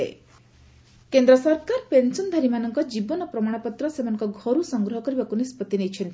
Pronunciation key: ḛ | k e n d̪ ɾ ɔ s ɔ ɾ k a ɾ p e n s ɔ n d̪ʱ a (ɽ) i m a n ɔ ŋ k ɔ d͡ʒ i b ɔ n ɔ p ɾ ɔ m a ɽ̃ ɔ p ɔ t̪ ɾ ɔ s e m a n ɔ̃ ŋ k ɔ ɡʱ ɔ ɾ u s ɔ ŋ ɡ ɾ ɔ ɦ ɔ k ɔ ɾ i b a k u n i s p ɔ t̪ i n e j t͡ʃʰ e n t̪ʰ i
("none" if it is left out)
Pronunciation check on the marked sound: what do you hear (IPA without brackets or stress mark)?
ɾ